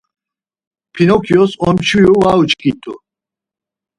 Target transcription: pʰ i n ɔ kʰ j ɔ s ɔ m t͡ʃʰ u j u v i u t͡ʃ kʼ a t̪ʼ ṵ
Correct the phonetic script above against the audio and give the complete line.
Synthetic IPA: pʰ i n ɔ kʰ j ɔ s ɔ m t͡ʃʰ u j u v a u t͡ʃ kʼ i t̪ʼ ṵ